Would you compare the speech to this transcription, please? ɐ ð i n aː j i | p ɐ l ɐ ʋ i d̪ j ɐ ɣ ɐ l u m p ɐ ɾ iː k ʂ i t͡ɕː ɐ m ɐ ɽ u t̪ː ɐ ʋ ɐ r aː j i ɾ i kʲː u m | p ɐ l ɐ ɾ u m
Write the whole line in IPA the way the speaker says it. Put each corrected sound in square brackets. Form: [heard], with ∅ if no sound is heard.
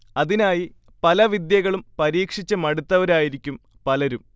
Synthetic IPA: ɐ ð i n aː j i | p ɐ l ɐ ʋ i d̪ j ɐ ɣ ɐ [ɭ] u m p ɐ ɾ iː k ʂ i t͡ɕː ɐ m ɐ ɽ u t̪ː ɐ ʋ ɐ [ɾ] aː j i ɾ i kʲː u m | p ɐ l ɐ ɾ u m